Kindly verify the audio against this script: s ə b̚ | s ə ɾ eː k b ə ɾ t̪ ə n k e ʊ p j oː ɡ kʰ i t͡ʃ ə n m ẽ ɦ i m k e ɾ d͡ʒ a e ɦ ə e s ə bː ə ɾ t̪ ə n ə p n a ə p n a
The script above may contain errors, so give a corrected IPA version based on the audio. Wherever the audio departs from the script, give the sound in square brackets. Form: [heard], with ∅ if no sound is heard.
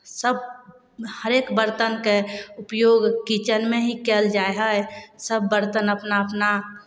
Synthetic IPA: s ə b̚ | [h] ə ɾ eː k b ə ɾ t̪ ə n k e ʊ p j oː ɡ [k] i t͡ʃ ə n m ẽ ɦ i [∅] k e [l] d͡ʒ a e ɦ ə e s ə bː ə ɾ t̪ ə n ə p n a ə p n a